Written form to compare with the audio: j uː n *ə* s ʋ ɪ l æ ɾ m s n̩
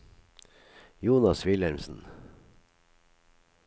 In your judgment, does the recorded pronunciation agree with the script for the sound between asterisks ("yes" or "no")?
no